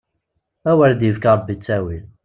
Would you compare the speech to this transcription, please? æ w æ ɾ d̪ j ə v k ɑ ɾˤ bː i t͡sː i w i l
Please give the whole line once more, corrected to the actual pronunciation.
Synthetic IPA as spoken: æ w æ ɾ d̪ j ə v k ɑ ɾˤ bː i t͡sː æ w i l

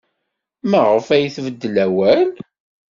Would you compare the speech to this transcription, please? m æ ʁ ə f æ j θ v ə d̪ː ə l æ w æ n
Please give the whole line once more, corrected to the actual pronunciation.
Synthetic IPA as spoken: m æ ʁ ə f æ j θ v ə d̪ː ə l æ w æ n

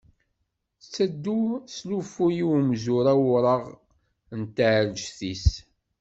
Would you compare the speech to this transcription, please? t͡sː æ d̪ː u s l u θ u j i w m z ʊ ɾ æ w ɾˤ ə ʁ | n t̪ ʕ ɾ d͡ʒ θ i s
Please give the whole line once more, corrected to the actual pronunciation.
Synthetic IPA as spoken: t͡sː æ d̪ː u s l u f u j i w m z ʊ ɾ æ w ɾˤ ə ʁ | n t̪ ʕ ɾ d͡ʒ θ i s

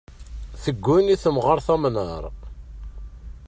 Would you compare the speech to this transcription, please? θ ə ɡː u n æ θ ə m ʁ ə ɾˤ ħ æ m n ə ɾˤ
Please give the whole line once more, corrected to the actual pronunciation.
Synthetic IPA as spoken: θ ə ɡː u n i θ ə m ʁ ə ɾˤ θ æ m n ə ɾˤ

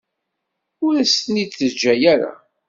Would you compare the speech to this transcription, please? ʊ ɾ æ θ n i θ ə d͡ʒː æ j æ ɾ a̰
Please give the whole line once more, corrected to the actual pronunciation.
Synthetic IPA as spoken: ʊ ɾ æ s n i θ ə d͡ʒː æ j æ ɾ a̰

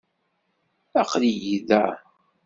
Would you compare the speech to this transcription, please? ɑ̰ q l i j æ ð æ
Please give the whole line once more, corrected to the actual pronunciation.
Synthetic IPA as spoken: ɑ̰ q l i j i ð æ

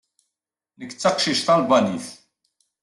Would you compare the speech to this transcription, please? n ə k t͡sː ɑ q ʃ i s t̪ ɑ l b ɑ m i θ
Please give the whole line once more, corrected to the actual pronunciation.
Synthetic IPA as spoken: n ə k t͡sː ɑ q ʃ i ʃ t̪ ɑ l b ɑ n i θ

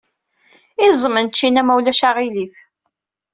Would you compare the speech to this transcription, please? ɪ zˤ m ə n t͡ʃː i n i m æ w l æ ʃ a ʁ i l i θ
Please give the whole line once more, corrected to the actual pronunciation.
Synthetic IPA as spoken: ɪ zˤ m ə n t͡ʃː i n æ m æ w l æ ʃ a ʁ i l i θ

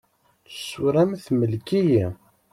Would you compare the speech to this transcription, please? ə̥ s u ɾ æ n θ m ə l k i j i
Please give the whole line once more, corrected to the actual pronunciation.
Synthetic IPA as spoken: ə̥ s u ɾ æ m θ m ə l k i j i

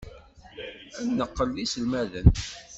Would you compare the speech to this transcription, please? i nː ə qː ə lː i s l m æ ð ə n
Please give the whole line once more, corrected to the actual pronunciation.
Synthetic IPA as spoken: æ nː ə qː ə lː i s l m æ ð ə n

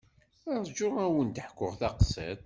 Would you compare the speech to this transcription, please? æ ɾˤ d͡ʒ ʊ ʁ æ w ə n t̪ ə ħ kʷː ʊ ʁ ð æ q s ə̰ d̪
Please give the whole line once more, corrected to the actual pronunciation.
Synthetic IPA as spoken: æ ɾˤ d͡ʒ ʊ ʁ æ w ə n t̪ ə ħ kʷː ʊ ʁ θ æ q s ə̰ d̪

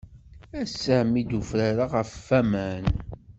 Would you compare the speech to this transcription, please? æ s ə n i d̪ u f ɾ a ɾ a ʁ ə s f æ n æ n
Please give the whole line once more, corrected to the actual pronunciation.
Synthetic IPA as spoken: æ s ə m i d̪ u f ɾ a ɾ a ʁ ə f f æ m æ n

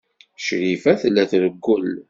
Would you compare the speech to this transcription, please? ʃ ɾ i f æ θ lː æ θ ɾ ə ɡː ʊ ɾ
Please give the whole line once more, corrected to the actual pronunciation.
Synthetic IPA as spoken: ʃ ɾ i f æ θ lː æ θ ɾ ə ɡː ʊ l

